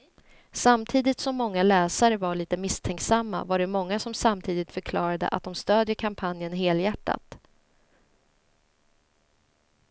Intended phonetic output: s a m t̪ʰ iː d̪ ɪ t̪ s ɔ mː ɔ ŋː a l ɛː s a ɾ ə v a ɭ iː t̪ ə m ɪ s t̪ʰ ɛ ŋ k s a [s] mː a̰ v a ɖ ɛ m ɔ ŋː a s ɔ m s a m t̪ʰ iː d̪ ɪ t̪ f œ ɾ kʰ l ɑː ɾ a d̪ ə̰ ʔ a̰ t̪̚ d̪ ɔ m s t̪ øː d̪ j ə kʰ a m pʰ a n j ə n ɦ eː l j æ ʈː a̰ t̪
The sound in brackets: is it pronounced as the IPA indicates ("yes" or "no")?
no